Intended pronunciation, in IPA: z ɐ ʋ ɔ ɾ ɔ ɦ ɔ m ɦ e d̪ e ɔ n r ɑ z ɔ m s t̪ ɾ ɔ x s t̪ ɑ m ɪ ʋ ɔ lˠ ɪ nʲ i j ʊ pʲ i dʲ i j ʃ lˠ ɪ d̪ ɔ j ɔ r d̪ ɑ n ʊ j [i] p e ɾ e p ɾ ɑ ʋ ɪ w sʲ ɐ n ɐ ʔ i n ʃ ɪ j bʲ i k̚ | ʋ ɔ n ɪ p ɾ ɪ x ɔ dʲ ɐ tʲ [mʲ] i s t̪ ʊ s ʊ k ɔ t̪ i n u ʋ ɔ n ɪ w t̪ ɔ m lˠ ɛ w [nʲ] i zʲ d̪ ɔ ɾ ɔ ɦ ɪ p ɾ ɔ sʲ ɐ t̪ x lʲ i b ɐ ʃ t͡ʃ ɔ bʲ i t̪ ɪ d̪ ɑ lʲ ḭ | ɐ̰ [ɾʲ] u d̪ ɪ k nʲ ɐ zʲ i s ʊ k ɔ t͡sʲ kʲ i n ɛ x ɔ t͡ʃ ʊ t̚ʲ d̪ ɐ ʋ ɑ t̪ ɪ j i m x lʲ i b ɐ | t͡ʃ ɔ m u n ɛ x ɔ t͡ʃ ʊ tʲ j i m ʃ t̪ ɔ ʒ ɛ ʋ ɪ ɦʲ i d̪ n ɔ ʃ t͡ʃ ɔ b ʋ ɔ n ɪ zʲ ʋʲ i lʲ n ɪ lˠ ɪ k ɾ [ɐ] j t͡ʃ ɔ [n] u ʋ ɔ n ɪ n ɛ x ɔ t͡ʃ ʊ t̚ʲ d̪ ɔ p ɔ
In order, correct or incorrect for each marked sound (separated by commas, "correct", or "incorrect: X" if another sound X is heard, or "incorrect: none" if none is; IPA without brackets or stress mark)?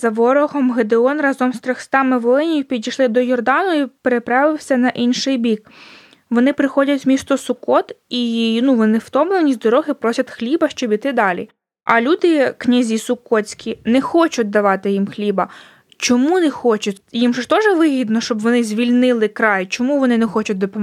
correct, correct, correct, incorrect: lʲ, incorrect: ɑ, incorrect: m